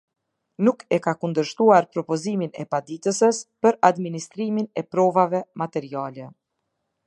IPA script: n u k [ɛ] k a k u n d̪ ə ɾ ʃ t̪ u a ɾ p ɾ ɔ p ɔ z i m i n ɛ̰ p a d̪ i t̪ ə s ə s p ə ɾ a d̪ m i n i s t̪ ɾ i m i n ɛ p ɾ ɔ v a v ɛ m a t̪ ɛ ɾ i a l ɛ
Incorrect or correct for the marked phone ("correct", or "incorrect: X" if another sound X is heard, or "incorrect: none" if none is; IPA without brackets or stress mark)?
correct